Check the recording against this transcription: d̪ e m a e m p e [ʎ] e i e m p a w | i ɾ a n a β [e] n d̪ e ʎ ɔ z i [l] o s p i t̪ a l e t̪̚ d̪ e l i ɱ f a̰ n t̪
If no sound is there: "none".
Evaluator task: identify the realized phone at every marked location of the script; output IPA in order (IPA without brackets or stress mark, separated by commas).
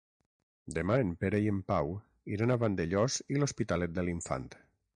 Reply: ɾ, a, l